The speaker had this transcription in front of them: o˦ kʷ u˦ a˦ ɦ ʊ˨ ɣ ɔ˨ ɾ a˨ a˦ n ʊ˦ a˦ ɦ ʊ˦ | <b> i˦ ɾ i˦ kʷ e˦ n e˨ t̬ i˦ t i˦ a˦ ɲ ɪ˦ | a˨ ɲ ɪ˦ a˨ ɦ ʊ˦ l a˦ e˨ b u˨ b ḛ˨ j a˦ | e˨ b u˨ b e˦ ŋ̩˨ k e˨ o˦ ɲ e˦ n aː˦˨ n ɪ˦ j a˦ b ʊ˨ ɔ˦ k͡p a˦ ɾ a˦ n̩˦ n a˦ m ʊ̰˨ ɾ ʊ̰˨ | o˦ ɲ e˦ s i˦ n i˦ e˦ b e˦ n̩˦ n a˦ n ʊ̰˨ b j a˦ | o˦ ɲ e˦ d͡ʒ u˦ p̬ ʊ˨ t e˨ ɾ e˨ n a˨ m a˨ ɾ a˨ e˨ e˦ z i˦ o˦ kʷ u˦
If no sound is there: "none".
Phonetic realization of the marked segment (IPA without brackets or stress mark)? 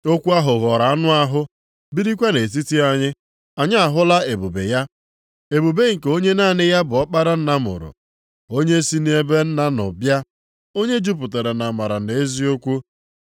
b